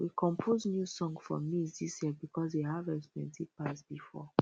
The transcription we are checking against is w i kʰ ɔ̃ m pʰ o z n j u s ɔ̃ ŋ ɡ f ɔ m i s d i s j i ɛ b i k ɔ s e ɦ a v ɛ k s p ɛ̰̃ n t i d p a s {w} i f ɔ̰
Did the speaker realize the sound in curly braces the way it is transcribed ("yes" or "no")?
no